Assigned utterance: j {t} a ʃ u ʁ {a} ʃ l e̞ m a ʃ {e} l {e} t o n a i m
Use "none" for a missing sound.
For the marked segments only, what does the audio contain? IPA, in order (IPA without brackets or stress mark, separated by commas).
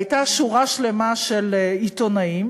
t, a, e, i